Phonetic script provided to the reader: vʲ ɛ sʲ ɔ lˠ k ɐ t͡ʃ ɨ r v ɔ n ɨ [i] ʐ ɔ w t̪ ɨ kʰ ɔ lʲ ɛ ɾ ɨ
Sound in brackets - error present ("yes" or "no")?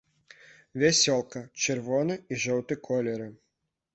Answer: no